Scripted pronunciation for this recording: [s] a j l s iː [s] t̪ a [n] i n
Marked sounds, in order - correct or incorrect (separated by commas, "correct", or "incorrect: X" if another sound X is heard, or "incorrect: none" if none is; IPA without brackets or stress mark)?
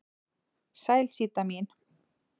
correct, incorrect: none, incorrect: m